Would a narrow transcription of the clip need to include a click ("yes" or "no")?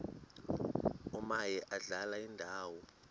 no